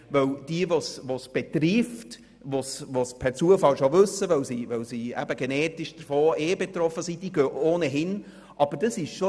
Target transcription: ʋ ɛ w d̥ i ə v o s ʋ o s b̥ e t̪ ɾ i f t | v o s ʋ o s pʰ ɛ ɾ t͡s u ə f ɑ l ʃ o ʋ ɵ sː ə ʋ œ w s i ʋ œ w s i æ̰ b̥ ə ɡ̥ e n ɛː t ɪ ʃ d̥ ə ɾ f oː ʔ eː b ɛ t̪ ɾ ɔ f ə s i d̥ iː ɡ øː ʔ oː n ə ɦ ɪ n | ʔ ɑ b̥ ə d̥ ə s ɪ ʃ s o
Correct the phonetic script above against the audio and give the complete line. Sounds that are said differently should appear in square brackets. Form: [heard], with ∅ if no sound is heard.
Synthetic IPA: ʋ [œ] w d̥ i ə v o s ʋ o s b̥ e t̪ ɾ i f t | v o s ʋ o s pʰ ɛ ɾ t͡s u ə f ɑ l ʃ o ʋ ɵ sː ə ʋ œ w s i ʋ œ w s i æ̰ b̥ ə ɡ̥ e n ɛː t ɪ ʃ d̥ ə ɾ f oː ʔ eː b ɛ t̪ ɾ ɔ f ə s i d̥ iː ɡ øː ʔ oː n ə ɦ ɪ n | ʔ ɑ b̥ ə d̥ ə s ɪ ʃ [ʃ] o